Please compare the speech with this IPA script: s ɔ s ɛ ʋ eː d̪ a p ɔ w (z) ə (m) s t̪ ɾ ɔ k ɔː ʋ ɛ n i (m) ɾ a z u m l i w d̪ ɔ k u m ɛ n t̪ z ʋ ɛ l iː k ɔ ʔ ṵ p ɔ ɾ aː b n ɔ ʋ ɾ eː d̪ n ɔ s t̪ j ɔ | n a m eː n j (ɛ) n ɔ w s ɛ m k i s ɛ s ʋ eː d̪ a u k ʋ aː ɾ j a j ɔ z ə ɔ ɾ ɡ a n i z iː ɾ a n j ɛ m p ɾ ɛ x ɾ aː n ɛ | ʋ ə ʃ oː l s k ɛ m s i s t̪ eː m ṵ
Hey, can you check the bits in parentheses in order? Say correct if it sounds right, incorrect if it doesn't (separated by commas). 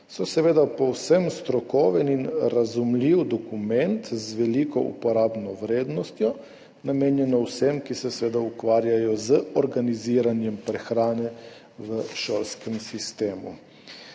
incorrect, correct, incorrect, correct